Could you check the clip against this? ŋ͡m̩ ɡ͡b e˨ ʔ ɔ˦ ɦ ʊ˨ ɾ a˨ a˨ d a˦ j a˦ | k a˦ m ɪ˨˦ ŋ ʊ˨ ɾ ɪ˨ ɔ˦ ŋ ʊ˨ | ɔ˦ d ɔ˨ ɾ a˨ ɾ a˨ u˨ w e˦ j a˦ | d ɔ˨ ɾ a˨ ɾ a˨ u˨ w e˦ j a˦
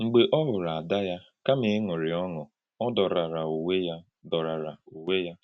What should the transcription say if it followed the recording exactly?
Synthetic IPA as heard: ŋ͡m̩ ɡ͡b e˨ ʔ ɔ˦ ɦ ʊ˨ ɾ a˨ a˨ d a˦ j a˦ | k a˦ m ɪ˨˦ ŋ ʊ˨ ɾ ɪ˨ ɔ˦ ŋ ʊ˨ | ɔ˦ d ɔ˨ ɾ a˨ ɾ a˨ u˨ w e˦ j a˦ | d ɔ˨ ɾ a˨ ɾ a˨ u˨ w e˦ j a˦